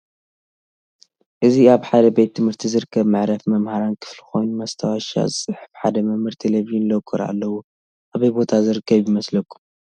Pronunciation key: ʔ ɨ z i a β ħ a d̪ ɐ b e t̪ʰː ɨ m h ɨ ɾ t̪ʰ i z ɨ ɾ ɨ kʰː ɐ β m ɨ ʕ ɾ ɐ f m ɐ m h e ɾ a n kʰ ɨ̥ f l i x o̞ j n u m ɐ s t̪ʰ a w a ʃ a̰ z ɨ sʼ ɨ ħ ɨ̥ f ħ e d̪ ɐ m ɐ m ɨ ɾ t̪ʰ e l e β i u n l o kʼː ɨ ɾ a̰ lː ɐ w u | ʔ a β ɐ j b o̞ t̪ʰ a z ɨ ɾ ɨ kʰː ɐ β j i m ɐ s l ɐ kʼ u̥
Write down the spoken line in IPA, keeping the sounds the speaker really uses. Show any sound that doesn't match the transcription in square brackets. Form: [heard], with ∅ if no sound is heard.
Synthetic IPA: ʔ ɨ z i a β ħ a d̪ ɐ b e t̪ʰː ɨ m h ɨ ɾ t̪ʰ i z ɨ ɾ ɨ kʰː ɐ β m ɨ ʕ ɾ ɐ f m ɐ m h [a] ɾ a n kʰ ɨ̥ f l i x o̞ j n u m ɐ s t̪ʰ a w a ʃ a̰ z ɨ sʼ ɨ ħ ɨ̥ f ħ [a] d̪ ɐ m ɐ m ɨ ɾ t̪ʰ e l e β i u n l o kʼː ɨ ɾ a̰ lː ɐ w u | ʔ a β ɐ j b o̞ t̪ʰ a z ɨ ɾ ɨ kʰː ɐ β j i m ɐ s l ɐ kʼ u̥